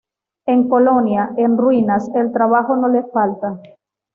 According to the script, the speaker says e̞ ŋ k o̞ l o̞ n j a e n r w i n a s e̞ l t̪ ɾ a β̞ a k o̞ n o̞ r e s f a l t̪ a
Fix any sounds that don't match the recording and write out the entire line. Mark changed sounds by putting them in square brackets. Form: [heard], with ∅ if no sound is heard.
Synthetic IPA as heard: e̞ ŋ k o̞ l o̞ n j a e n r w i n a s e̞ l t̪ ɾ a β̞ a [x] o̞ n o̞ [l] e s f a l t̪ a